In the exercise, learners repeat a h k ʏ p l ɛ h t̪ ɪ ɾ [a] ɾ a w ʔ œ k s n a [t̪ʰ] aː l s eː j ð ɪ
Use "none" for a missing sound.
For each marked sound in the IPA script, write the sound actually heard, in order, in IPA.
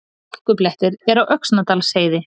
ɛ, t̪

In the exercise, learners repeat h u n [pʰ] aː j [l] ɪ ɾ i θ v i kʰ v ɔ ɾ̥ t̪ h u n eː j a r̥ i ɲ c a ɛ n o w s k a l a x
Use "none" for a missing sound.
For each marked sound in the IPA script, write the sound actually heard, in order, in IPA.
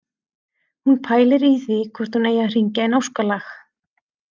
pʰ, l

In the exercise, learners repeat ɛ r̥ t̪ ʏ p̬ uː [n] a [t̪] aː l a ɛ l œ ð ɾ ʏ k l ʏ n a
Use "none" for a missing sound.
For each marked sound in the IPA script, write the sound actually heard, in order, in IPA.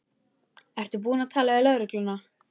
n, t̪ʰ

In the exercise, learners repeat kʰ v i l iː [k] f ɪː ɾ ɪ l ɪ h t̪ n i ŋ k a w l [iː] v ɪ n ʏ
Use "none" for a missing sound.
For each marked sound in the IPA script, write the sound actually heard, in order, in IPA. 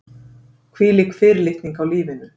k, iː

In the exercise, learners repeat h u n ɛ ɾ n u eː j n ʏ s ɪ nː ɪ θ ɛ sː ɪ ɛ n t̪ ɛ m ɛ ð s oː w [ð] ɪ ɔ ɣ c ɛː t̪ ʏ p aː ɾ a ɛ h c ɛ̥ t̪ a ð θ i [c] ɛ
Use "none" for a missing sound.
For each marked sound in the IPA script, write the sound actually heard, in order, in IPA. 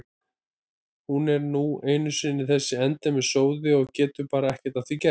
ð, c

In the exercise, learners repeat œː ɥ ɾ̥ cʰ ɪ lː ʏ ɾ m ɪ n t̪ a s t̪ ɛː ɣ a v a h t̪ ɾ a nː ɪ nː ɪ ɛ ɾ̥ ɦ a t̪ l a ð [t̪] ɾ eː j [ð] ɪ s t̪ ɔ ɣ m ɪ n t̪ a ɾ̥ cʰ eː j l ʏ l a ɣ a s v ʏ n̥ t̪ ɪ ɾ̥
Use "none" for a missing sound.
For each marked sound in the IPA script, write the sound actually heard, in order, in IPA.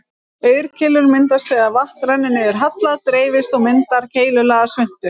t̪, v

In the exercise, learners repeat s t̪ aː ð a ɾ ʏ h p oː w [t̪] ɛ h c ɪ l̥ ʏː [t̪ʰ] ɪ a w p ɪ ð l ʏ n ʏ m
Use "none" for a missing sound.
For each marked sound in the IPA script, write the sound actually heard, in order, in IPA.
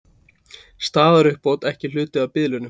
t̪, t̪

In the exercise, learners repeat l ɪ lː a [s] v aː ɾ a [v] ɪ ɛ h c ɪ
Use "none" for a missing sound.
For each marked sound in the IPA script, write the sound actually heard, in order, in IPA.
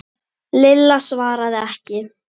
s, ð

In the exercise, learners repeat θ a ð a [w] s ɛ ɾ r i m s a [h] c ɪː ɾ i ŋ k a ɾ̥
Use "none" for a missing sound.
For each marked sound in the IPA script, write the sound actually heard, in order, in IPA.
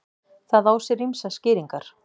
w, s

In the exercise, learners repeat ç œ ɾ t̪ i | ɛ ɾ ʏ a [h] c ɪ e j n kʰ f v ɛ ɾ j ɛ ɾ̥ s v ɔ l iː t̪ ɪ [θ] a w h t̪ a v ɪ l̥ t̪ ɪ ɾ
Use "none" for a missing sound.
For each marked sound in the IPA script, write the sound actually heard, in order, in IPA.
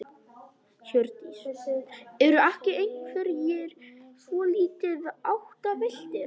h, ð

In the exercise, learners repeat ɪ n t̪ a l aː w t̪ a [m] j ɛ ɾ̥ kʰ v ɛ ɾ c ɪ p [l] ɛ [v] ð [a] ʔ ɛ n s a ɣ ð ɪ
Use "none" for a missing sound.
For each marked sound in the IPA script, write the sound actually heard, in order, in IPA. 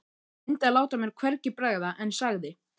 m, ɾ, ɣ, a

